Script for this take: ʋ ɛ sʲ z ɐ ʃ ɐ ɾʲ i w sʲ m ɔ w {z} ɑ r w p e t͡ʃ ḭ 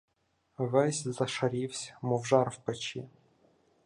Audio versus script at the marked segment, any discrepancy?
yes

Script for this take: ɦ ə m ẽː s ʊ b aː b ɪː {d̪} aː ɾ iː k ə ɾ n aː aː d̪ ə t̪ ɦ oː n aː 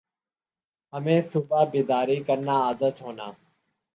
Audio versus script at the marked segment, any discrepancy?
no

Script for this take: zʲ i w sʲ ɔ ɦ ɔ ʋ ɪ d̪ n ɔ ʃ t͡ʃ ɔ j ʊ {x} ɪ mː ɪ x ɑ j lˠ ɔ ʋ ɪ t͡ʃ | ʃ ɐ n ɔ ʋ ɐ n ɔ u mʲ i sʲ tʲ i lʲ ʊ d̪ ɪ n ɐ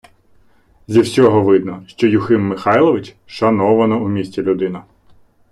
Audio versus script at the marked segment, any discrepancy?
no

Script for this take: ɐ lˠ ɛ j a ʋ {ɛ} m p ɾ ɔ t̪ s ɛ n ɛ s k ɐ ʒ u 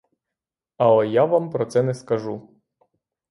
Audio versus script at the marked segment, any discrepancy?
yes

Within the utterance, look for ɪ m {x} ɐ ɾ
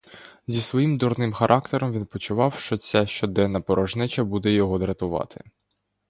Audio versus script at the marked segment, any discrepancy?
no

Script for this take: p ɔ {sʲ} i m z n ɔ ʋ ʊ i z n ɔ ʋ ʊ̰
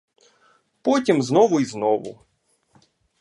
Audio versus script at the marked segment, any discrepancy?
yes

